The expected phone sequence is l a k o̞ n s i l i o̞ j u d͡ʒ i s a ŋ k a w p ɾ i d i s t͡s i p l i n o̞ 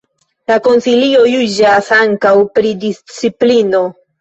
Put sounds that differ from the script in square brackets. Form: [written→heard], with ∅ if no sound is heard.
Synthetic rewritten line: l a k o̞ n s i l i o̞ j u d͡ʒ [i→a] s a ŋ k a w p ɾ i d i s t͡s i p l i n o̞